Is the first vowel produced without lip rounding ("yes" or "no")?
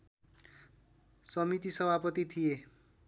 yes